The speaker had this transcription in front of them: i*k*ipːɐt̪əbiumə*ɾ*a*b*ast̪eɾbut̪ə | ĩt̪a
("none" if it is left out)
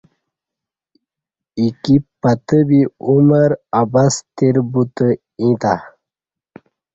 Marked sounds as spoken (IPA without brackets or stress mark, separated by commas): k, ɾ, b